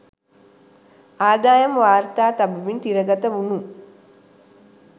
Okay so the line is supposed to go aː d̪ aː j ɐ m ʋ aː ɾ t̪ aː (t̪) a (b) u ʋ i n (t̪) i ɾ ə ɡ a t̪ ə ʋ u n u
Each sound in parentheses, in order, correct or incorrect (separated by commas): correct, correct, correct